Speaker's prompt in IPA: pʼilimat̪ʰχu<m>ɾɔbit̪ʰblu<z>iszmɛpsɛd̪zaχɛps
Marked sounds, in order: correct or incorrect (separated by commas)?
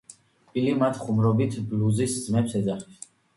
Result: correct, correct